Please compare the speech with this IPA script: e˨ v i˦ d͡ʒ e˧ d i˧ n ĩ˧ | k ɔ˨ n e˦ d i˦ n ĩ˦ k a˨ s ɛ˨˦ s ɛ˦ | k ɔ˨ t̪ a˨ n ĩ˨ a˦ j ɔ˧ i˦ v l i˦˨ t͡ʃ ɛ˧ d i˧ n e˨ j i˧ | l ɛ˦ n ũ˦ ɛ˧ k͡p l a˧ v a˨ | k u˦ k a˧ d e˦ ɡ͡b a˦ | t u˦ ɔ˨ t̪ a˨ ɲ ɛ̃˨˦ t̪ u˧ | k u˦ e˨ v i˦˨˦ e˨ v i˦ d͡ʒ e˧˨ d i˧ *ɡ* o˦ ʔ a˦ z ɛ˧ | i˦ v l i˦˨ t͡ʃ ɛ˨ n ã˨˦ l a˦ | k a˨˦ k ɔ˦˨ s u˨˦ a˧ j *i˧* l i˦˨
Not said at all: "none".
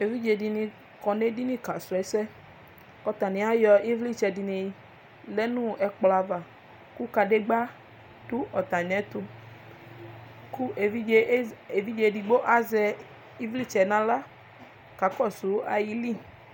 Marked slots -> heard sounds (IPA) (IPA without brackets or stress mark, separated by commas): ɡ͡b, i˧